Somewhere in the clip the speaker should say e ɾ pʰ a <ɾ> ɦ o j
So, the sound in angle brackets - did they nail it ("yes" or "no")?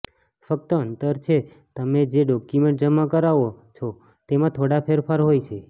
yes